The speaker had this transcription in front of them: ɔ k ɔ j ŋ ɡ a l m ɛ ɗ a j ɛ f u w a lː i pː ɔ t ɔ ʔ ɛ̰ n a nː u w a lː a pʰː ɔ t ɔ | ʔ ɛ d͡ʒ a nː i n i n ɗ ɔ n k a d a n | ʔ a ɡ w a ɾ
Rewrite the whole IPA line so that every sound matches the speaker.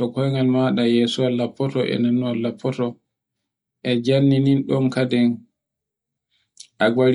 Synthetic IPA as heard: ɔ k ɔ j ŋ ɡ a l m a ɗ a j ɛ s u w a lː a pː ɔ t ɔ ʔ ɛ̰ n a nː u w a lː a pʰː ɔ t ɔ | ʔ ɛ d͡ʒ a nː i n i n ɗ ɔ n k a d ɛ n | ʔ a ɡ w a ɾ